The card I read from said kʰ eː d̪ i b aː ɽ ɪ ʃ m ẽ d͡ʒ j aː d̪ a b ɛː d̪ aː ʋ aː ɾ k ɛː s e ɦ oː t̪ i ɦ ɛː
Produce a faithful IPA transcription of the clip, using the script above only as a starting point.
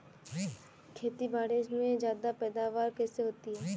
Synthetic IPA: kʰ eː t̪ i b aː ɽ ɪ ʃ m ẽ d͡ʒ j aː d̪ a p ɛː d̪ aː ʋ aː ɾ k ɛː s e ɦ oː t̪ i ɦ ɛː